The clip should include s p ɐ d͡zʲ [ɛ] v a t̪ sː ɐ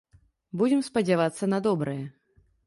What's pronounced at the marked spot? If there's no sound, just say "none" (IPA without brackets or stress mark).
a